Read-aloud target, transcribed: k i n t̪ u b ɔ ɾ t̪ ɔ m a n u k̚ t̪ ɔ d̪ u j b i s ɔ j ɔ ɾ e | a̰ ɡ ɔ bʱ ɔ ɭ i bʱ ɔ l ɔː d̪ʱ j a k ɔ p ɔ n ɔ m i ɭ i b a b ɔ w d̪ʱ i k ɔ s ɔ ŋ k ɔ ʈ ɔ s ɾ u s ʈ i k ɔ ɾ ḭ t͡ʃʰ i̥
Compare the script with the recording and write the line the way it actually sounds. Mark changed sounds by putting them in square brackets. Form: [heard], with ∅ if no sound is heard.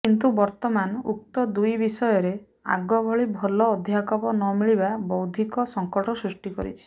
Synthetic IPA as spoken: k i n t̪ u b ɔ ɾ t̪ ɔ m a n u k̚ t̪ ɔ d̪ u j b i s ɔ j ɔ ɾ e | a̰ ɡ ɔ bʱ ɔ ɭ i bʱ ɔ l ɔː d̪ʱ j a k ɔ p ɔ n ɔ m i ɭ i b a b ɔ w d̪ʱ i k ɔ s ɔ ŋ k ɔ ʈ ɔ s ɾ u s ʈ i k ɔ ɾ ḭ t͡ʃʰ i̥

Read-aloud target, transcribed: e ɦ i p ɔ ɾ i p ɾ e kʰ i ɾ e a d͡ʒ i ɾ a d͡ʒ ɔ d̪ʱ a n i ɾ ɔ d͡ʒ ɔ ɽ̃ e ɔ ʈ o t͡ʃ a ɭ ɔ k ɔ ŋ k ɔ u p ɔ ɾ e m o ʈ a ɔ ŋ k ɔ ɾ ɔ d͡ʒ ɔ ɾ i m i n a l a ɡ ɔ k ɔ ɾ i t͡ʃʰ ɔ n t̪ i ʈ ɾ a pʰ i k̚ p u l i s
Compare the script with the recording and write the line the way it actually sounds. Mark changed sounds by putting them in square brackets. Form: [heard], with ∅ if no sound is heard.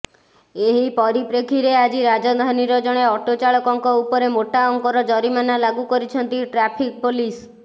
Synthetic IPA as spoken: e ɦ i p ɔ ɾ i p ɾ e kʰ i ɾ e a d͡ʒ i ɾ a d͡ʒ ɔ d̪ʱ a n i ɾ ɔ d͡ʒ ɔ ɽ̃ e ɔ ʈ o t͡ʃ a ɭ ɔ k ɔ ŋ k ɔ u p ɔ ɾ e m o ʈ a ɔ ŋ k ɔ ɾ ɔ d͡ʒ ɔ ɾ i m [a] n a l a ɡ [u] k ɔ ɾ i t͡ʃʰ ɔ n t̪ i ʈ ɾ a pʰ i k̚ p [o] l i s

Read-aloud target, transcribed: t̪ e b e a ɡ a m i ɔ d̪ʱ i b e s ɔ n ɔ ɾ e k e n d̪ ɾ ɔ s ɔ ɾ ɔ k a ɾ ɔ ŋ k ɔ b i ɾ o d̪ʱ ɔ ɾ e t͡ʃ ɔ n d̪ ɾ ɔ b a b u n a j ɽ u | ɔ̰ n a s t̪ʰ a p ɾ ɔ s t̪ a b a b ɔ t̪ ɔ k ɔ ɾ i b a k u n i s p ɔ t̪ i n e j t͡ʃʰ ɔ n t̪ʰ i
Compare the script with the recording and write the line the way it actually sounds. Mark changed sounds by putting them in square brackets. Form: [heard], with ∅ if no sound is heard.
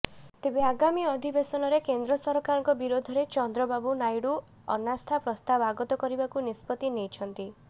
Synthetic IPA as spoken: t̪ e b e a ɡ a m i ɔ d̪ʱ i b e s ɔ n ɔ ɾ e k e n d̪ ɾ ɔ s ɔ ɾ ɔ k a ɾ ɔ ŋ k ɔ b i ɾ o d̪ʱ ɔ ɾ e t͡ʃ ɔ n d̪ ɾ ɔ b a b u n a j ɽ u | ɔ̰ n a s t̪ʰ a p ɾ ɔ s t̪ a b a [ɡ] ɔ t̪ ɔ k ɔ ɾ i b a k u n i s p ɔ t̪ i n e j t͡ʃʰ ɔ n [t̪] i

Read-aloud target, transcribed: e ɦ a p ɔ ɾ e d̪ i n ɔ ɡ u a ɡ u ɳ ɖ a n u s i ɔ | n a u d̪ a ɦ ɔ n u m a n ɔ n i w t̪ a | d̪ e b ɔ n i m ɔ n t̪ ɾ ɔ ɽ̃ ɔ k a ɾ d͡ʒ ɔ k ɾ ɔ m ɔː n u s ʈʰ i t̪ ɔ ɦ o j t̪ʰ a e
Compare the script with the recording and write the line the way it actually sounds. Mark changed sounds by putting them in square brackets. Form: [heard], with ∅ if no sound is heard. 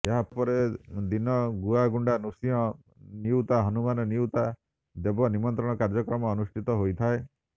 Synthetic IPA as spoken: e ɦ a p ɔ ɾ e d̪ i n ɔ ɡ u a ɡ u ɳ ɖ a n u s i ɔ | n [i] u [t̪] a ɦ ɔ n u m a n ɔ n i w t̪ a | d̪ e b ɔ n i m ɔ n t̪ ɾ ɔ ɽ̃ ɔ k a ɾ d͡ʒ ɔ k ɾ ɔ m ɔː n u s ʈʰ i t̪ ɔ ɦ o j t̪ʰ a e

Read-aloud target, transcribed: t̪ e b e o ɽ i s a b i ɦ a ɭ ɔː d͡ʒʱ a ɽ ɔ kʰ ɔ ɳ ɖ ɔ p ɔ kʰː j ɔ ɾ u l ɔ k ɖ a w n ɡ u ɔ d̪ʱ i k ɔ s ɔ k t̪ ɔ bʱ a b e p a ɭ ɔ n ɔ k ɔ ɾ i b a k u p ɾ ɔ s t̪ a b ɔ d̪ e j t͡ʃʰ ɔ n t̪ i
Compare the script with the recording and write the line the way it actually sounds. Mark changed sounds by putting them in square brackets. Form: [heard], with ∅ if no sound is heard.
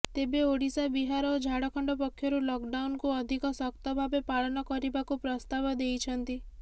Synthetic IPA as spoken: t̪ e b e o ɽ i s a b i ɦ a [ɾ] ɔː d͡ʒʱ a ɽ ɔ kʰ ɔ ɳ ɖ ɔ p ɔ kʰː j ɔ ɾ u l ɔ k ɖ a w n [k] u ɔ d̪ʱ i k ɔ s ɔ k t̪ ɔ bʱ a b e p a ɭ ɔ n ɔ k ɔ ɾ i b a k u p ɾ ɔ s t̪ a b ɔ d̪ e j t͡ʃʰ ɔ n t̪ i

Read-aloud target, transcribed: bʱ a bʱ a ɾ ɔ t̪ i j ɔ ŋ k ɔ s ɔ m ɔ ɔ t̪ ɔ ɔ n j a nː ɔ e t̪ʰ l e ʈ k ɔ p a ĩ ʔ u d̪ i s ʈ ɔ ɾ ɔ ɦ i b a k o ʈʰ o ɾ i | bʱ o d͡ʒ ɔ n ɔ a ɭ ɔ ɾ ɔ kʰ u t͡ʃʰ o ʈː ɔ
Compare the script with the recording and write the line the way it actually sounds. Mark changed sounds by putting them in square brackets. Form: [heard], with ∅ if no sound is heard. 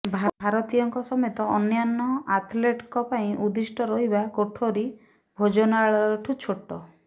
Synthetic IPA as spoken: bʱ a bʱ a ɾ ɔ t̪ i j ɔ ŋ k ɔ s ɔ m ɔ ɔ t̪ ɔ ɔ n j a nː ɔ [a] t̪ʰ l e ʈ k ɔ p a ĩ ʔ u d̪ i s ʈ ɔ ɾ ɔ ɦ i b a k o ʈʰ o ɾ i | bʱ o d͡ʒ ɔ n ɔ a ɭ ɔ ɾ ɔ [ʈʰ] u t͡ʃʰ o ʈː ɔ

